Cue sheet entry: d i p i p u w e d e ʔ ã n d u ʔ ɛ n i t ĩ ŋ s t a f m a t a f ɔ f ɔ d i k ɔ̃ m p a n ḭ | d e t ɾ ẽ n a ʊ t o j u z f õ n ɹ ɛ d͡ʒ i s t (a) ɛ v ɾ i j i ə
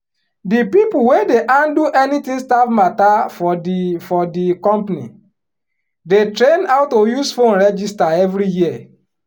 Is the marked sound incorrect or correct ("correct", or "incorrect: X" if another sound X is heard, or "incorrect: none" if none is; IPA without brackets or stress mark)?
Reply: correct